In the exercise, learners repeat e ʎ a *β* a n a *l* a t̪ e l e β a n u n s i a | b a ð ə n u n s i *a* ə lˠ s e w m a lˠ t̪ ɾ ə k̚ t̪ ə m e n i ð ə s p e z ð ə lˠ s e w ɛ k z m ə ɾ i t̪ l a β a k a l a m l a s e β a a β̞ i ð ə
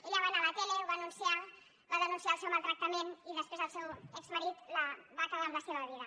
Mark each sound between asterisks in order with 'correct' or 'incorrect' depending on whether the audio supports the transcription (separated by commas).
correct, correct, correct